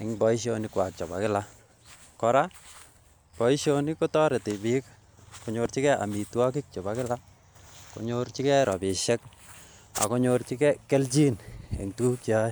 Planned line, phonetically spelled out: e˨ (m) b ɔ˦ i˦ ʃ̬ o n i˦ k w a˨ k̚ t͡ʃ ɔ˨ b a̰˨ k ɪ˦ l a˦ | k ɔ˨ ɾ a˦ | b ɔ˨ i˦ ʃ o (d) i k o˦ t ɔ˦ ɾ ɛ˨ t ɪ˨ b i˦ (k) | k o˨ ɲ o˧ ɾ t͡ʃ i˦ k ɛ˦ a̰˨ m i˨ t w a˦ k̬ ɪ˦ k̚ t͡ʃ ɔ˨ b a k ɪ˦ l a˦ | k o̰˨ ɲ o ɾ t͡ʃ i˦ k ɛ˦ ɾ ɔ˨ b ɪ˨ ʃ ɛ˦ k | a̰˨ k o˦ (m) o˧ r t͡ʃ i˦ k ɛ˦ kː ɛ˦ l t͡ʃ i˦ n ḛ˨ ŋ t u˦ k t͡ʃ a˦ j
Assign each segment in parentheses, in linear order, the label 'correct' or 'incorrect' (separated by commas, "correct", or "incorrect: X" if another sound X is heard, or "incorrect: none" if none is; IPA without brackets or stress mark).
incorrect: ŋ, incorrect: n, correct, incorrect: ɲ